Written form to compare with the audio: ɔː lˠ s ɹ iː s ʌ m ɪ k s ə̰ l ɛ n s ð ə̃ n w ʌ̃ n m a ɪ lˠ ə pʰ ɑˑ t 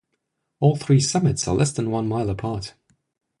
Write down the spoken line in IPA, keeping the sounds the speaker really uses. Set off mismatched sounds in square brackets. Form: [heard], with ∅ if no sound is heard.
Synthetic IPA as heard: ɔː lˠ [θ] ɹ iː s ʌ m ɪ [t] s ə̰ l ɛ [∅] s ð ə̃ n w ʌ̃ n m a ɪ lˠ ə pʰ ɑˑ t